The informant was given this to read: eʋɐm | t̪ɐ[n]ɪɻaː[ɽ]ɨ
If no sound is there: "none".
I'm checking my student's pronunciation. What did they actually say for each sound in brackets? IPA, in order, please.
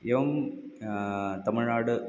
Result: m, ɽ

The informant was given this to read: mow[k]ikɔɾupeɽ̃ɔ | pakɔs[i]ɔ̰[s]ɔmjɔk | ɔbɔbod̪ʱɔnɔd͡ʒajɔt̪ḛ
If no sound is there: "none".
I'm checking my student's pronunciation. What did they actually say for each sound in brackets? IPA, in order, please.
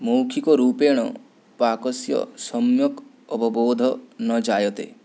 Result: kʰ, j, s

